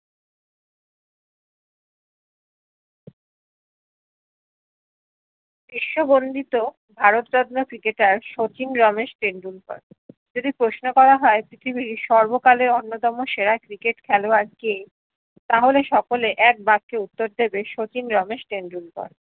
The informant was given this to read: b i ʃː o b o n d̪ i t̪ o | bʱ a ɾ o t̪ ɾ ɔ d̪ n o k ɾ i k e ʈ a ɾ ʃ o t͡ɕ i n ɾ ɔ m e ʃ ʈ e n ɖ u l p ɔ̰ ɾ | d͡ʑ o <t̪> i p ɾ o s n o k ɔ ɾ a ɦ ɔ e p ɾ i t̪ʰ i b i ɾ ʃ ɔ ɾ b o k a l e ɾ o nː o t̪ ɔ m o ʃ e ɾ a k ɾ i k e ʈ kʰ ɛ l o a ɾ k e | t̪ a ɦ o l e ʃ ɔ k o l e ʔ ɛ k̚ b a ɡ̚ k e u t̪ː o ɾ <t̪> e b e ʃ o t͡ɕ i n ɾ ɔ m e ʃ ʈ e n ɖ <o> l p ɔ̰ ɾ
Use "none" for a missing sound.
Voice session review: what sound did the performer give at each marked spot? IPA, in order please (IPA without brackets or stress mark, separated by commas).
d̪, d̪, u